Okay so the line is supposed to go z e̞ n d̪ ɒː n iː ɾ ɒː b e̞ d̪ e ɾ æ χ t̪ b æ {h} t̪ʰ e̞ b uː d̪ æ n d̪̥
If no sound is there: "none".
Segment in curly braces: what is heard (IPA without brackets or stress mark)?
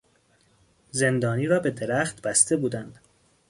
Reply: s